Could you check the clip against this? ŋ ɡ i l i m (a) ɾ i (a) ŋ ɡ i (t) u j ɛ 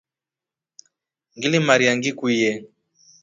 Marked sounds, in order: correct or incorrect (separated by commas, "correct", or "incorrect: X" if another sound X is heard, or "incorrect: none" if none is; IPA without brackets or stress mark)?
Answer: correct, correct, incorrect: k